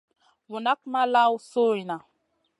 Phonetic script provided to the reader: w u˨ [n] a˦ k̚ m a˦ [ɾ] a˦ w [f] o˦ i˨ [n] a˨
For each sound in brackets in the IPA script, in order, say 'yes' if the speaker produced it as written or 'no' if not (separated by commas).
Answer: yes, no, no, yes